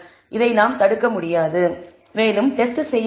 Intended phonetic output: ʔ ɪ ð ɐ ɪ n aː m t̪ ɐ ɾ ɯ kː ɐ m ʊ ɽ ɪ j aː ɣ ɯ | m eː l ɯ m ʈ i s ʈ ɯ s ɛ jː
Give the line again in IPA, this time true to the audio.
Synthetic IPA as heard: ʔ ɪ ð ɐ ɪ n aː m t̪ ɐ ɽ ɯ kː ɐ m ʊ ɽ ɪ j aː ð ɯ | m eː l ɯ m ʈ ɛ s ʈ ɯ s ɛ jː

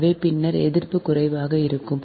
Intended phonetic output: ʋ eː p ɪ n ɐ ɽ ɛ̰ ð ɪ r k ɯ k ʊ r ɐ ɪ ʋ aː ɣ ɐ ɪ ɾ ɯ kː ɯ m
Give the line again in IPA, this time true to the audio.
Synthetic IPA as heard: ʋ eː p ɪ nː ɐ ɾ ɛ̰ ð ɪ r p ɯ k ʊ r ɐ ɪ ʋ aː ɣ ɐ ɪ ɾ ɯ kː ɯ m

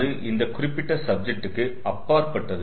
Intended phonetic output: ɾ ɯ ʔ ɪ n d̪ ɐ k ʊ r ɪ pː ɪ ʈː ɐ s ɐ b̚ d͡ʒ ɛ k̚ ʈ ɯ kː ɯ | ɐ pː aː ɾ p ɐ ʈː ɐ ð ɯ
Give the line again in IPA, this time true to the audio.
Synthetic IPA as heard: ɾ ɯ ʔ ɪ n d̪ ɐ k ʊ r ɪ pː ɪ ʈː ɐ s ɐ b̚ d͡ʒ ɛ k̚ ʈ ɯ kː ɯ | ɐ pː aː ɾ p ɐ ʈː ɐ ð ɯ

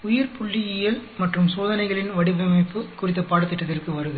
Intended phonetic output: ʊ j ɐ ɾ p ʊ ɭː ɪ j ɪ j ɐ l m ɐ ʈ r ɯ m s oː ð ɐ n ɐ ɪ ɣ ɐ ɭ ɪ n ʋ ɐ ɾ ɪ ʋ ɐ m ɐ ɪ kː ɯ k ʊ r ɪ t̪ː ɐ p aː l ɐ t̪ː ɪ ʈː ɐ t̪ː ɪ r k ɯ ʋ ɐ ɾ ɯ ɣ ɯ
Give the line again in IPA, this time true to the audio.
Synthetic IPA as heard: ʊ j ɐ ɾ p ʊ ɭː ɪ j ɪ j ɐ l m ɐ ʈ r ɯ m s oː ð ɐ n ɐ ɪ ɣ ɐ ɭ ɪ n ʋ ɐ ɽ ɪ ʋ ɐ m ɐ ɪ pː ɯ k ʊ r ɪ t̪ː ɐ p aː ɽ ɐ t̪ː ɪ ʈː ɐ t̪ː ɪ r k ɯ ʋ ɐ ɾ ɯ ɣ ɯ

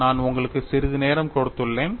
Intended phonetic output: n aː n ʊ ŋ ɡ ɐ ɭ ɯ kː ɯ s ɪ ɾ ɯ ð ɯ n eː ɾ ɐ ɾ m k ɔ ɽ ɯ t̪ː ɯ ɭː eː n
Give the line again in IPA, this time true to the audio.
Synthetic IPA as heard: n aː n ʊ ŋ ɡ ɐ ɭ ɯ kː ɯ s ɪ ɾ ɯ ð ɯ n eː ɾ ɐ m k ɔ ɽ ɯ t̪ː ɯ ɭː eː n

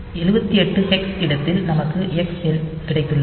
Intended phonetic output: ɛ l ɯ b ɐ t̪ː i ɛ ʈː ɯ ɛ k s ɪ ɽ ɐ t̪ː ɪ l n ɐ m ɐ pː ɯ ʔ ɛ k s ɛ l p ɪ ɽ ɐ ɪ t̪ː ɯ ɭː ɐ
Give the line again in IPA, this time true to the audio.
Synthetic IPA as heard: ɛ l ɯ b ɐ t̪ː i ɛ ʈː ɯ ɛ k s ɪ ɽ ɐ t̪ː ɪ l n ɐ m ɐ kː ɯ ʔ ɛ k s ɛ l k ɪ ɽ ɐ ɪ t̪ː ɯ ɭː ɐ

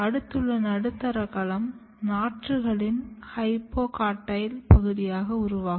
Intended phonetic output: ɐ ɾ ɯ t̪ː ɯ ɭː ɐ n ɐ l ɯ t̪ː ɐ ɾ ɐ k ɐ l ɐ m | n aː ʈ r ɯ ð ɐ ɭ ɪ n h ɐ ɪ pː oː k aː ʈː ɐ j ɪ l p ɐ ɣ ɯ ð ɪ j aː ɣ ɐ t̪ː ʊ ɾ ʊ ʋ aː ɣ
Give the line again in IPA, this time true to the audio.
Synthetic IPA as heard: ɐ ɽ ɯ t̪ː ɯ ɭː ɐ n ɐ ɽ ɯ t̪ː ɐ ɾ ɐ k ɐ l ɐ m | n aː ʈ r ɯ ɣ ɐ ɭ ɪ n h ɐ ɪ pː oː k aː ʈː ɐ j ɪ l p ɐ ɣ ɯ ð ɪ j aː ɣ ɐ ʊ ɾ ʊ ʋ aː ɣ

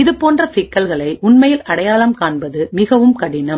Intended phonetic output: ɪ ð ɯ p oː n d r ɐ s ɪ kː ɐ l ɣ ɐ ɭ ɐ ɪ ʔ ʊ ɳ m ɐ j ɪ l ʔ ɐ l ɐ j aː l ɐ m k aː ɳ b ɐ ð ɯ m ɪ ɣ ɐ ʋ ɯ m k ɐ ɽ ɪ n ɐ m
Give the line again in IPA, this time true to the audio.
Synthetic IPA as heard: ɪ ð ɯ p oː n d r ɐ s ɪ kː ɐ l ɣ ɐ ɭ ɐ ɪ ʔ ʊ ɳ m ɐ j ɪ l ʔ ɐ ɽ ɐ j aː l ɐ m k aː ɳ b ɐ ð ɯ m ɪ ɣ ɐ ʋ ɯ m k ɐ ɽ ɪ n ɐ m

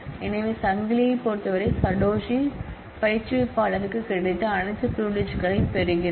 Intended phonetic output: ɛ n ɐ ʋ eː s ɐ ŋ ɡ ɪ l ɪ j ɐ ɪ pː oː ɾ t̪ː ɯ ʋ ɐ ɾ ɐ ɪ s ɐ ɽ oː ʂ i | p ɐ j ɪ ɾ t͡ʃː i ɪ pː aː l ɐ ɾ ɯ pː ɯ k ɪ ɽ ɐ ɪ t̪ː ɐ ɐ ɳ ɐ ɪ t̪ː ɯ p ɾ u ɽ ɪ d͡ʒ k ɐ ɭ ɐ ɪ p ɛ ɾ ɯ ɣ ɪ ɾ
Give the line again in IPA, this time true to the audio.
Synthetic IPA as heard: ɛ n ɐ ʋ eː s ɐ ŋ ɡ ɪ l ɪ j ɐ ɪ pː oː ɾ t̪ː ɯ ʋ ɐ ɾ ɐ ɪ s ɐ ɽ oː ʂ i | p ɐ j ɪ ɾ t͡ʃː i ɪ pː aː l ɐ ɾ ɯ kː ɯ k ɪ ɽ ɐ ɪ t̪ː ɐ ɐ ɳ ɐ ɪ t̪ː ɯ p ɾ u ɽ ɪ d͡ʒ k ɐ ɭ ɐ ɪ p ɛ ɾ ɯ ɣ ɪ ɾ

